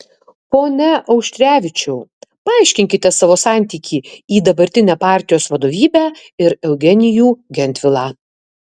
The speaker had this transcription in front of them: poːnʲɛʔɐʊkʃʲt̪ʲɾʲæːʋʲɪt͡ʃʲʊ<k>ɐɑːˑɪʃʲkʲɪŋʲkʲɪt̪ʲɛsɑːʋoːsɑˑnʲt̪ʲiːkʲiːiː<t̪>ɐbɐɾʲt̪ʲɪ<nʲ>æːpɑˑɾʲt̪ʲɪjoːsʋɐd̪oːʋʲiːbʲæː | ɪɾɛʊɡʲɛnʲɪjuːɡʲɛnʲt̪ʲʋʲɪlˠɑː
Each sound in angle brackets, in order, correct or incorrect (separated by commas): incorrect, incorrect, correct